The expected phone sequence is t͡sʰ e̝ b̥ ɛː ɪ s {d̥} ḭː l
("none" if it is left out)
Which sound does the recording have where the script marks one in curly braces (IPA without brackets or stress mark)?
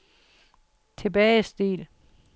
d̥